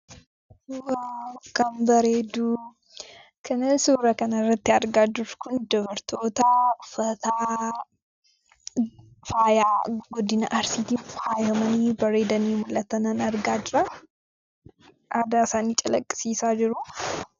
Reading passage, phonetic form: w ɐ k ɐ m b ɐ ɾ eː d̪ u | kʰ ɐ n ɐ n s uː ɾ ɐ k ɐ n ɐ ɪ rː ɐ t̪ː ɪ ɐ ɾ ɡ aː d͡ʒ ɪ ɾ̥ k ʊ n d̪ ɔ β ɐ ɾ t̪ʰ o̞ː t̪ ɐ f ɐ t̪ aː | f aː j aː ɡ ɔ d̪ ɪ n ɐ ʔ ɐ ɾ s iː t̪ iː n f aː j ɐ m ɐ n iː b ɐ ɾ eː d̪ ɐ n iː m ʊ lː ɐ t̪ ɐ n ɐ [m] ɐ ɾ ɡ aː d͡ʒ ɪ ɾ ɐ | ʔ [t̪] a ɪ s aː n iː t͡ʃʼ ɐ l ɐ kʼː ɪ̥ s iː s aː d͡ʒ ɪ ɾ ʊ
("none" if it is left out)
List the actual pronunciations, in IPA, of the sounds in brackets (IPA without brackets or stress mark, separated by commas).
n, d̪